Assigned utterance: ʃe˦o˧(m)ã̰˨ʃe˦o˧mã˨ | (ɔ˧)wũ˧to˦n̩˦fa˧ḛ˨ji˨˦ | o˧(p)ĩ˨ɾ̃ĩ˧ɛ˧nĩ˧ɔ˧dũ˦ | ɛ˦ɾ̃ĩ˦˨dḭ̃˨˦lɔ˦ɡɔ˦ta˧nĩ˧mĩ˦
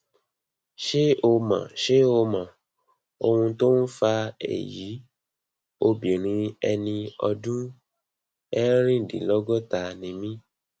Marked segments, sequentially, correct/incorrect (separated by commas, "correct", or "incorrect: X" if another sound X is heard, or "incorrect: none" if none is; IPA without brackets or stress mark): correct, incorrect: o˧, incorrect: b